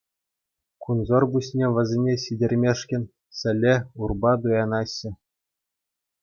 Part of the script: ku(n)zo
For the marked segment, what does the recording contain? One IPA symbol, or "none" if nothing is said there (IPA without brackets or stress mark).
n